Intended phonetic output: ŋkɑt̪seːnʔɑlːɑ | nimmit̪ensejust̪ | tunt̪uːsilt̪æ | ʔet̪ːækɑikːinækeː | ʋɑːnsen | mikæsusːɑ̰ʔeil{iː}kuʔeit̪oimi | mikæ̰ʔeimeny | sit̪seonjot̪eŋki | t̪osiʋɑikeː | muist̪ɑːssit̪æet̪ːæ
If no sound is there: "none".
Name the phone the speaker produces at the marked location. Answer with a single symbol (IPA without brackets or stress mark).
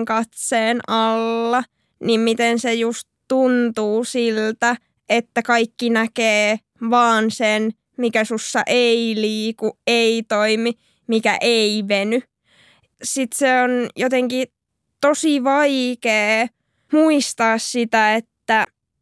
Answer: iː